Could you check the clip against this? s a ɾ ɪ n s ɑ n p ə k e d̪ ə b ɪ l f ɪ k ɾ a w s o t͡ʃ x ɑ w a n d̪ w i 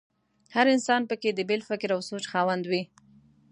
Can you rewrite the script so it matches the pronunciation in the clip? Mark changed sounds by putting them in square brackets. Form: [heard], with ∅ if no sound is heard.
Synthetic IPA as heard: [h] a ɾ ɪ n s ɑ n p ə k e d̪ ə b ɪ l f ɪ k ɾ a w s o t͡ʃ x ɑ w a n d̪ w i